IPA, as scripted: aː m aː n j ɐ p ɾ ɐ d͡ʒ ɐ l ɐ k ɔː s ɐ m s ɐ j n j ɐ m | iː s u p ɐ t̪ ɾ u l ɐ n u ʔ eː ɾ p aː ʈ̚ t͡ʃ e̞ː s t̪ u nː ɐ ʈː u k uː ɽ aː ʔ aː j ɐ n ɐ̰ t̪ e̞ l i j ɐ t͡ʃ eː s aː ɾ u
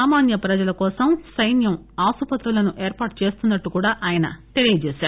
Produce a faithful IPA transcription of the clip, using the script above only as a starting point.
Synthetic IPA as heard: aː m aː n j ɐ p ɾ ɐ d͡ʒ ɐ l ɐ k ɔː s ɐ m s ɐ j n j ɐ m | aː s u p ɐ t̪ ɾ u l ɐ n u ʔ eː ɾ p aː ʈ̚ t͡ʃ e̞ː s t̪ u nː ɐ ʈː u k uː ɽ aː ʔ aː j ɐ n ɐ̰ t̪ e̞ l i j ɐ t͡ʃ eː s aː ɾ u